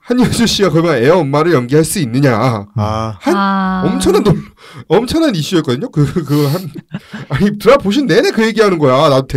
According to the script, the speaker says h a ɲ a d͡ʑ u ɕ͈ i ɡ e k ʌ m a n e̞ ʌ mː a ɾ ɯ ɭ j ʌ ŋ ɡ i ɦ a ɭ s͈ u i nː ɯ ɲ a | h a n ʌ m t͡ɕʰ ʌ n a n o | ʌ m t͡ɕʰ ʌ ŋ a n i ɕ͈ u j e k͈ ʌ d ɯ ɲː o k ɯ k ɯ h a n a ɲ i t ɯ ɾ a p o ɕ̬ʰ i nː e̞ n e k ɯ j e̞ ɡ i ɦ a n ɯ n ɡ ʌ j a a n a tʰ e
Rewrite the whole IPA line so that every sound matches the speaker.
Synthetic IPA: h a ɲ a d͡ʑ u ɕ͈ i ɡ a k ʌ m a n e̞ ʌ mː a ɾ ɯ ɭ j ʌ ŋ ɡ i ɦ a ɭ s͈ u i nː ɯ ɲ a | h a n ʌ m t͡ɕʰ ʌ n a n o | ʌ m t͡ɕʰ ʌ n a n i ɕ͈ u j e k͈ ʌ d ɯ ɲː o k ɯ k ɯ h a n a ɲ i t ɯ ɾ a p o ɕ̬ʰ i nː e̞ n e k ɯ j e̞ ɡ i ɦ a n ɯ n ɡ ʌ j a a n a tʰ e